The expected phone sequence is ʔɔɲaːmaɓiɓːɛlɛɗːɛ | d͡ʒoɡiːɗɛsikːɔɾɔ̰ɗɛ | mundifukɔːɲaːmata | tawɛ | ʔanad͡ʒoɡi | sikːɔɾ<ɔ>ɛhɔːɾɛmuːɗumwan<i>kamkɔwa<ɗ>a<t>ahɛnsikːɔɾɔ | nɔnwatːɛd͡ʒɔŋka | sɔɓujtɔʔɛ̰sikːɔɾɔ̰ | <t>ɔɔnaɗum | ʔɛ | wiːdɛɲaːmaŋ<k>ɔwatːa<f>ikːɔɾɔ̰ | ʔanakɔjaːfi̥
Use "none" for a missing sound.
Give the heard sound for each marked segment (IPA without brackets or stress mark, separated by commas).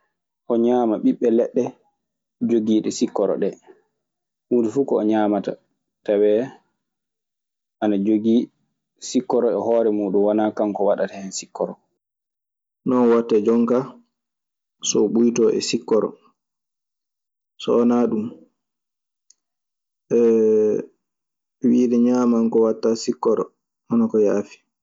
ɔ, a, ɗ, t, s, k, s